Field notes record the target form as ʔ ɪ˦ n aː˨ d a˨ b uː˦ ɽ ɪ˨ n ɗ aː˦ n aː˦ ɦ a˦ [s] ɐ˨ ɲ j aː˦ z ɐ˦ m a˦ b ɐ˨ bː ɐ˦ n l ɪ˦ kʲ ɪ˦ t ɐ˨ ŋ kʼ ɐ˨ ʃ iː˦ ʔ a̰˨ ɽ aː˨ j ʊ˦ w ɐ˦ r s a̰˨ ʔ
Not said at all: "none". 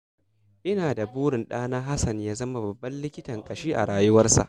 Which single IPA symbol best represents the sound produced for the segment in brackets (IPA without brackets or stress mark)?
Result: s